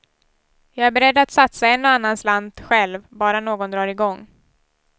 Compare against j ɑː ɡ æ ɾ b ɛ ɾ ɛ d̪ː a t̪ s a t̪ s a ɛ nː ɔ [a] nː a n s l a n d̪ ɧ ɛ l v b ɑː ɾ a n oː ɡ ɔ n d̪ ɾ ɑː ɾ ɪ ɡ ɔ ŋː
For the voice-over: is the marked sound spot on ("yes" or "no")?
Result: yes